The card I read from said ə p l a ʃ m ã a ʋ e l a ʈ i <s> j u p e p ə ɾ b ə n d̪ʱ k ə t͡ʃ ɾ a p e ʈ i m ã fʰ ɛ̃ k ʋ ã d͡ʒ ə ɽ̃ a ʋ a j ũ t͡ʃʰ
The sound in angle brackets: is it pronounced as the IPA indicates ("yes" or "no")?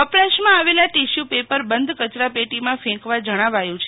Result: no